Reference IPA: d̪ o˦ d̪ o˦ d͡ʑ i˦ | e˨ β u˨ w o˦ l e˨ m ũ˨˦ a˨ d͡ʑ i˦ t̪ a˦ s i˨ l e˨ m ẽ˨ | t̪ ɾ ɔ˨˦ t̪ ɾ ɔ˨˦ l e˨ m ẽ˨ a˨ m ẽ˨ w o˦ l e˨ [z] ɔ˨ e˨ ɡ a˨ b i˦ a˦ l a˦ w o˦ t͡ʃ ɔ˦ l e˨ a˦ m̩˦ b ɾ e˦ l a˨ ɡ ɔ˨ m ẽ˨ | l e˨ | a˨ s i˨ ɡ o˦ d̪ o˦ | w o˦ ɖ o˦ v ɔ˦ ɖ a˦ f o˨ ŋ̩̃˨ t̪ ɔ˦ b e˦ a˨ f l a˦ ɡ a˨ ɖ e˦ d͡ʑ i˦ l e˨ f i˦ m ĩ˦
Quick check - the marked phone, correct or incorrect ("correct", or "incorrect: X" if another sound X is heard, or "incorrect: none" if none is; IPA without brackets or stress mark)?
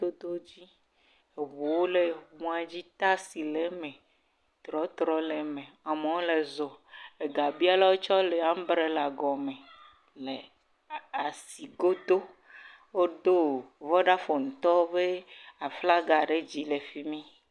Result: correct